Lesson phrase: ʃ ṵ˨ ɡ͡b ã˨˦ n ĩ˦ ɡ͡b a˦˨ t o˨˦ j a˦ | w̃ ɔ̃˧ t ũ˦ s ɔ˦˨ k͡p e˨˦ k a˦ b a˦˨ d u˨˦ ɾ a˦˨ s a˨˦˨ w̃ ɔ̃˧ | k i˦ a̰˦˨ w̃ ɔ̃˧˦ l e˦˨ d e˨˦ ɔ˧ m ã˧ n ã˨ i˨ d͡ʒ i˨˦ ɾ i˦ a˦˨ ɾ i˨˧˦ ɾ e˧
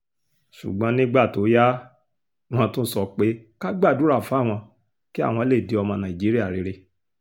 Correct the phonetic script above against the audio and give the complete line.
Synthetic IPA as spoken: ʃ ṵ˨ ɡ͡b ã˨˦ n ĩ˦ ɡ͡b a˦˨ t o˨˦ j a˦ | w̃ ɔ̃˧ t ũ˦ s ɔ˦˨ k͡p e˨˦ k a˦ ɡ͡b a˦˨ d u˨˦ ɾ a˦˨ f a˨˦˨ w̃ ɔ̃˧ | k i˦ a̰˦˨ w̃ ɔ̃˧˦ l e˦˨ d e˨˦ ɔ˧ m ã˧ n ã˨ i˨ d͡ʒ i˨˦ ɾ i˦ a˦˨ ɾ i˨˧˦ ɾ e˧

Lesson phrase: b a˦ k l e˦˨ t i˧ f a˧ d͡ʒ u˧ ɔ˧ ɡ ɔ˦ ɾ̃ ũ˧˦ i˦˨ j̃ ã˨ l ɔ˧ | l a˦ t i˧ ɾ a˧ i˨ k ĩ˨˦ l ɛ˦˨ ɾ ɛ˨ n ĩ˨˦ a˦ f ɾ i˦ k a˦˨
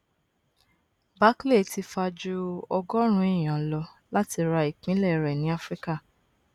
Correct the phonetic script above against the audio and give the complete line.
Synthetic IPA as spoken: b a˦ k l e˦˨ t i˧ f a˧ d͡ʒ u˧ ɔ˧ ɡ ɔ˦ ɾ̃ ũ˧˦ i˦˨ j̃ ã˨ l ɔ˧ | l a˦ t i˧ ɾ a˧ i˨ k͡p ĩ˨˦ l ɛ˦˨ ɾ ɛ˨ n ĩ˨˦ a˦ f ɾ i˦ k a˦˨

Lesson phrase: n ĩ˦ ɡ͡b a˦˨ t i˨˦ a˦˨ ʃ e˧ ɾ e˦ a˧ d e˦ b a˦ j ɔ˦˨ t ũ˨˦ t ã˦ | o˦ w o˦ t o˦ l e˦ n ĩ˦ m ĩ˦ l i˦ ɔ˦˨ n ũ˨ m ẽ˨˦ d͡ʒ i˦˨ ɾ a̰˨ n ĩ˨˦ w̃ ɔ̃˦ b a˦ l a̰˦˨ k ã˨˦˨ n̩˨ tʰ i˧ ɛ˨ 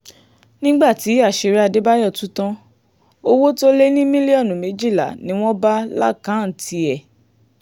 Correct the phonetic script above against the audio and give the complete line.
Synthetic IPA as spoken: n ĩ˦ ɡ͡b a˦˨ t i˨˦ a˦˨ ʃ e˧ ɾ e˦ a˧ d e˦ b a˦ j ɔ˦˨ t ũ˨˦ t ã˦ | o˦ w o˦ t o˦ l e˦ n ĩ˦ m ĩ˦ l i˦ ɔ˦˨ n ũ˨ m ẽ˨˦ d͡ʒ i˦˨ l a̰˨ n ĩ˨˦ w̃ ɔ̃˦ b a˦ l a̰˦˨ k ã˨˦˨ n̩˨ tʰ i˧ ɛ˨

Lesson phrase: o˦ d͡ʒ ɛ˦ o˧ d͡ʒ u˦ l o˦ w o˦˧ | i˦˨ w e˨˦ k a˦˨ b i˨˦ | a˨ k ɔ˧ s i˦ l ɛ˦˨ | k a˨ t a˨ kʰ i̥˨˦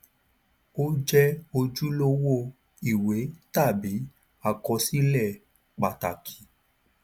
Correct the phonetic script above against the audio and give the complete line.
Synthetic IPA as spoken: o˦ d͡ʒ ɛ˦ o˧ d͡ʒ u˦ l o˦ w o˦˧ | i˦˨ w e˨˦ t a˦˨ b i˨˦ | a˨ k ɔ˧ s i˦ l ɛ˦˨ | k͡p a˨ t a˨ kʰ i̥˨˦

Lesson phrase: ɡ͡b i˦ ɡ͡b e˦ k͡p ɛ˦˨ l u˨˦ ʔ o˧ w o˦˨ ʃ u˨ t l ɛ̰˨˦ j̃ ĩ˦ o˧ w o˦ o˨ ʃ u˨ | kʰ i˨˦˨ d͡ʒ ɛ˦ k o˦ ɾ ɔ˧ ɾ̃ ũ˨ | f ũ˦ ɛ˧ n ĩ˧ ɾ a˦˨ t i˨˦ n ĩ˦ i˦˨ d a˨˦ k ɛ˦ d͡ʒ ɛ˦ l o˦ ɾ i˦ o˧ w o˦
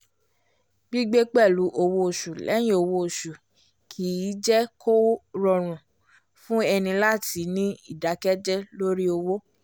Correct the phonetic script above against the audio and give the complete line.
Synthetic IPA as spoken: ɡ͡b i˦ ɡ͡b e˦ k͡p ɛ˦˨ l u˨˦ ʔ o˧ w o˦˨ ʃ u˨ l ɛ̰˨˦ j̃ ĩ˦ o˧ w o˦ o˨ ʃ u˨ | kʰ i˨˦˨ d͡ʒ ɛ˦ k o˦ ɾ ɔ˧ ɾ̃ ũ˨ | f ũ˦ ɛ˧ n ĩ˧ l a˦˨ t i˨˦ n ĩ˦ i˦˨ d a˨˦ k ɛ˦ d͡ʒ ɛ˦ l o˦ ɾ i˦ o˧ w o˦

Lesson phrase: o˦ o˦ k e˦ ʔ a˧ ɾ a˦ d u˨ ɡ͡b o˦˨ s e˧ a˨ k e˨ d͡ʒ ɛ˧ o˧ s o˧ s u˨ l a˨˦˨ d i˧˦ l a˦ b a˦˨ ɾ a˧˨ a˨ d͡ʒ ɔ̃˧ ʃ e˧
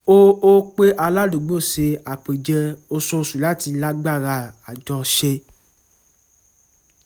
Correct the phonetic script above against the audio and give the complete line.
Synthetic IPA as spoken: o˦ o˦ k͡p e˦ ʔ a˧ l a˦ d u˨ ɡ͡b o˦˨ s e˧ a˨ k͡p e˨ d͡ʒ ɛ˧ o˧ s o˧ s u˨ l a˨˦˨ t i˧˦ l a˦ ɡ͡b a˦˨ ɾ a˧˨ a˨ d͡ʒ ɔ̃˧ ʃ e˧

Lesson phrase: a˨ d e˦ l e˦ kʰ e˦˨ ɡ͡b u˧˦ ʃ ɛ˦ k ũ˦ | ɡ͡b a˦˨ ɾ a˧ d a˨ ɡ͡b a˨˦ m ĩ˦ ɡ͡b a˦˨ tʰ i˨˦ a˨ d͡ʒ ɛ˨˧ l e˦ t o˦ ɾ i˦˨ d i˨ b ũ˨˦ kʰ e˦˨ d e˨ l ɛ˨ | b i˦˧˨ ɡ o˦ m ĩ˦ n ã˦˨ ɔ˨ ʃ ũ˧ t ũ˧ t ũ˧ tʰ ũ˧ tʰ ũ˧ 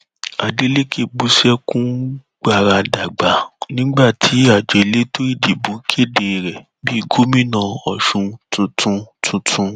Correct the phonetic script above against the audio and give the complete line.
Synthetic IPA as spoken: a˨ d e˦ l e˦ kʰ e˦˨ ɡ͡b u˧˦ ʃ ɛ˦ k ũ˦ | ɡ͡b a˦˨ ɾ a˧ d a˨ ɡ͡b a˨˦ n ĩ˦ ɡ͡b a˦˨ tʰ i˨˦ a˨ d͡ʒ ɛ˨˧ l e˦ t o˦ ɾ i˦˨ d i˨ b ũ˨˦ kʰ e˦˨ d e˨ ɾ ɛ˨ | b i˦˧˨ ɡ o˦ m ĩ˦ n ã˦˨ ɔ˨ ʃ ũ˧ t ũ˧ t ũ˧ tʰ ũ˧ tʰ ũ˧

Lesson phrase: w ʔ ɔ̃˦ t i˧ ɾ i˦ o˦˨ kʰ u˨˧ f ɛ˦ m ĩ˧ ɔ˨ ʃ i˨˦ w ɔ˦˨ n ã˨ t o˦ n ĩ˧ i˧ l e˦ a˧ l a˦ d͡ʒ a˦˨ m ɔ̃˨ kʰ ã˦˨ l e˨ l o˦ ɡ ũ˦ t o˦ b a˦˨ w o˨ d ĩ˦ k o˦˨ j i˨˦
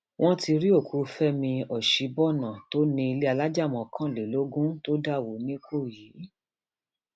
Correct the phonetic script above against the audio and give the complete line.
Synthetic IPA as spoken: w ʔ ɔ̃˦ t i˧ ɾ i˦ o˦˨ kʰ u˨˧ f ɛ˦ m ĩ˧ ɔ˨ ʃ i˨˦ b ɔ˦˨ n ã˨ t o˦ n ĩ˧ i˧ l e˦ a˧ l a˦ d͡ʒ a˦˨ m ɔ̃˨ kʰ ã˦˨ l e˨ l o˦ ɡ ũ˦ t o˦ d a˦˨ w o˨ n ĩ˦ k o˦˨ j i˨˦

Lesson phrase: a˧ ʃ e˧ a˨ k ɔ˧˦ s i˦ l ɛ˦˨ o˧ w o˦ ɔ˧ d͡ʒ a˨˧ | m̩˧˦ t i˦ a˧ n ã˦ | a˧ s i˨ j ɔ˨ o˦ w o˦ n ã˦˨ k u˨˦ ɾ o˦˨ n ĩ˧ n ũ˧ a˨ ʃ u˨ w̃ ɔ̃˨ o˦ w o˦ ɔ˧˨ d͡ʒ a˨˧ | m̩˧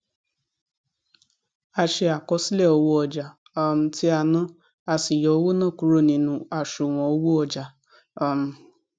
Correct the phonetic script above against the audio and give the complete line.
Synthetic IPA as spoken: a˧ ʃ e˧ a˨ k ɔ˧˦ s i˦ l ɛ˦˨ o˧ w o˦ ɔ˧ d͡ʒ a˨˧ | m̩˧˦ t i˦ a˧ n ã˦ | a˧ s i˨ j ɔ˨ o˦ w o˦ n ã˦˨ k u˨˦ ɾ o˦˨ n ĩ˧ n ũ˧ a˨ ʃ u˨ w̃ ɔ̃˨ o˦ w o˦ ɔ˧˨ d͡ʒ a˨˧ | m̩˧

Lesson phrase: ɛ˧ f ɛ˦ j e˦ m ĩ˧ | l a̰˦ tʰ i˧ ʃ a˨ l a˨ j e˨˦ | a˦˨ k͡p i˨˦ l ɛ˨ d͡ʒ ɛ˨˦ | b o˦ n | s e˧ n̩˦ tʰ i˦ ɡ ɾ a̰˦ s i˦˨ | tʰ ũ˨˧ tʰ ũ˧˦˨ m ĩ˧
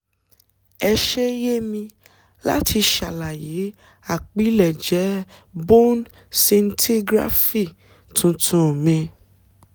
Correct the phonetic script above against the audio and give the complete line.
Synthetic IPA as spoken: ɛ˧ ʃ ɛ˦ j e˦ m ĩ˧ | l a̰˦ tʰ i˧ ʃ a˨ l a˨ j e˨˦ | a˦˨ k͡p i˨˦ l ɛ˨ d͡ʒ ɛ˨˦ | b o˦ n | s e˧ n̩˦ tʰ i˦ ɡ ɾ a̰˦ f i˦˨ | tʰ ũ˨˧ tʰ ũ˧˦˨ m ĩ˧

